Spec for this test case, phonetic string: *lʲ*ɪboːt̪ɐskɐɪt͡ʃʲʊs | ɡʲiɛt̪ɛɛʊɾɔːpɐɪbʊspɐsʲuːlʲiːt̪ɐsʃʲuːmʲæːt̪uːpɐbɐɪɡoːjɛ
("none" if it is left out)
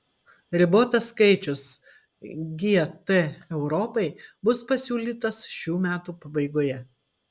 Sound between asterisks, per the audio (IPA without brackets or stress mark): ɾʲ